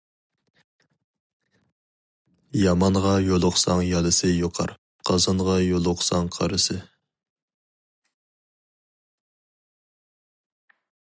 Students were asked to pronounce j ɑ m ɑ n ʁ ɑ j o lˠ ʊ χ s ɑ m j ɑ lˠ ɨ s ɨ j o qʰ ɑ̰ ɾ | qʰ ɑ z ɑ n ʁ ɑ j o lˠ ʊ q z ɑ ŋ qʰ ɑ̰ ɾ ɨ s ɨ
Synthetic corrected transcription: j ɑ m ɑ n ʁ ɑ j o lˠ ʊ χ s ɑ ŋ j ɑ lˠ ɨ s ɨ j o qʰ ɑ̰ ɾ | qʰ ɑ z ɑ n ʁ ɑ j o lˠ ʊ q s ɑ ŋ qʰ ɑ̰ ɾ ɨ s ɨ

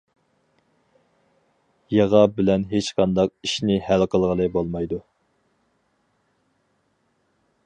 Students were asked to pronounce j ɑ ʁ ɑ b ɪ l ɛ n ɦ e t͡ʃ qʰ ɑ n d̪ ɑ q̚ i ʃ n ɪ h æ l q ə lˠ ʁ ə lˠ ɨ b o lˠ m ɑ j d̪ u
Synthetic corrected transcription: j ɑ ʁ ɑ b ɪ l ɛ n ɦ e t͡ʃ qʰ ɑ n d̪ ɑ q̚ i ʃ n ɪ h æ l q ə lˠ ʁ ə lˠ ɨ b o lˠ m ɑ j d̪ u

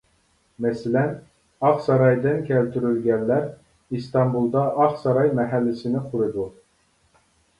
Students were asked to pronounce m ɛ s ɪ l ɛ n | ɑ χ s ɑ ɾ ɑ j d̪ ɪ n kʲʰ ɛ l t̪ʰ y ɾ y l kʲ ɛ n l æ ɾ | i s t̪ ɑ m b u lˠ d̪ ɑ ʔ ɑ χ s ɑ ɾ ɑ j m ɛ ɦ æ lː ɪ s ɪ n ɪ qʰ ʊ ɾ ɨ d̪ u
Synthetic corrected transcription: m ɛ s ɪ l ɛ n | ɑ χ s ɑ ɾ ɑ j d̪ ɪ n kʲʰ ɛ l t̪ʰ y ɾ y l ɡʲ ɛ n l æ ɾ | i s t̪ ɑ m b u lˠ d̪ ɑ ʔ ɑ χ s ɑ ɾ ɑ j m ɛ ɦ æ lː ɪ s ɪ n ɪ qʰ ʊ ɾ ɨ d̪ u

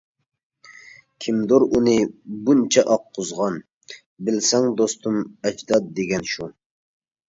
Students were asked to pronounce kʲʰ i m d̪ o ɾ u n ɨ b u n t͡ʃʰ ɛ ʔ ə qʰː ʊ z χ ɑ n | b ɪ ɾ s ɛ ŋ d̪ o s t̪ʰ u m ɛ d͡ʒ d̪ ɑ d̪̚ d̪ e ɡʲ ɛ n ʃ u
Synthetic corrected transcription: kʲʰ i m d̪ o ɾ u n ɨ b u n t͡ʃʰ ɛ ʔ ɑ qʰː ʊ z ʁ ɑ n | b ɪ l s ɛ ŋ d̪ o s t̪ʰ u m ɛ d͡ʒ d̪ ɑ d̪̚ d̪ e ɡʲ ɛ n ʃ u

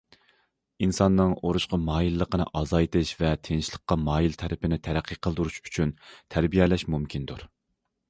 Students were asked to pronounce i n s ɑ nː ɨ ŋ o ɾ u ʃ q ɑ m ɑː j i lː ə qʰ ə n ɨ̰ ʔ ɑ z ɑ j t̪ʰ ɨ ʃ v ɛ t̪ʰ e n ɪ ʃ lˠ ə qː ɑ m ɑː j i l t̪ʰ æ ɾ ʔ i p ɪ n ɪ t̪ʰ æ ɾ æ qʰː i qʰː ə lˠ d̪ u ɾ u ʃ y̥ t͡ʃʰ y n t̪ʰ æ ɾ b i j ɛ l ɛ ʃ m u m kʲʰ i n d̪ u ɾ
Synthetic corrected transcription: i n s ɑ nː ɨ ŋ o ɾ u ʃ q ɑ m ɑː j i lː ə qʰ ə n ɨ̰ ʔ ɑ z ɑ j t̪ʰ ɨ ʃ v ɛ t̪ʰ e n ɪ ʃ lˠ ə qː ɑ m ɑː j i l t̪ʰ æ ɾ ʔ ɪ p ɪ n ɪ t̪ʰ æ ɾ æ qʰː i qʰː ə lˠ d̪ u ɾ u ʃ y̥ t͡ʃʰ y n t̪ʰ æ ɾ b i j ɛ l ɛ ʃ m u m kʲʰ i n d̪ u ɾ

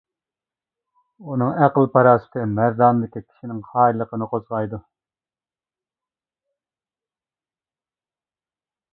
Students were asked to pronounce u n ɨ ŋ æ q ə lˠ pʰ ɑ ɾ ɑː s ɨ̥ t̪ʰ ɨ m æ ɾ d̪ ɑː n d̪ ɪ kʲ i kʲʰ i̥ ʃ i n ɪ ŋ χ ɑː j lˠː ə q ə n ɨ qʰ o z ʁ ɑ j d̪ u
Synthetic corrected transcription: u n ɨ ŋ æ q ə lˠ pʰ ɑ ɾ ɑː s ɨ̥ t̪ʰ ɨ m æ ɾ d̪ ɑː n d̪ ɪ kʲ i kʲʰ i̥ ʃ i n ɪ ŋ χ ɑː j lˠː ə q ə n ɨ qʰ o z ʁ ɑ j d̪ u

